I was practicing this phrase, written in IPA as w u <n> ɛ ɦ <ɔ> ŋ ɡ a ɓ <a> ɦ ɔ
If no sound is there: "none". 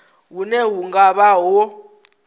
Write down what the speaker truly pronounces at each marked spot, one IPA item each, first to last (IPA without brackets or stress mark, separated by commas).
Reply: n, u, a